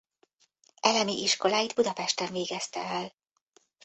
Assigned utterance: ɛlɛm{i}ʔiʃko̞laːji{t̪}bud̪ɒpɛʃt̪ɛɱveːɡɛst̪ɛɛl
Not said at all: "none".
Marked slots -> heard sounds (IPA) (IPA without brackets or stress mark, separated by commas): i, d̪